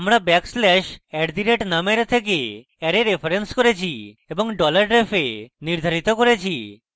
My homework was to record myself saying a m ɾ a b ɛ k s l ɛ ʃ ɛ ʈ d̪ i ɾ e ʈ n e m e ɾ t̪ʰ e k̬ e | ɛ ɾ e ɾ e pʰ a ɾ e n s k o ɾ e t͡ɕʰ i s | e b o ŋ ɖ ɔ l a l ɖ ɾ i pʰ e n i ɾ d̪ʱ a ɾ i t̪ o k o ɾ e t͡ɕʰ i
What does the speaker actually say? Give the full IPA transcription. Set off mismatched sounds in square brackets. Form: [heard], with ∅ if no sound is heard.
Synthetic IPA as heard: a m ɾ a b ɛ k s l ɛ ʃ ɛ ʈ d̪ i ɾ e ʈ n [a] m e ɾ t̪ʰ e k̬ e | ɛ ɾ e ɾ e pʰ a ɾ e n s k o ɾ e t͡ɕʰ i [∅] | e b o ŋ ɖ ɔ l a [ɾ] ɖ ɾ [e] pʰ e n i ɾ d̪ʱ a ɾ i t̪ o k o ɾ e t͡ɕʰ i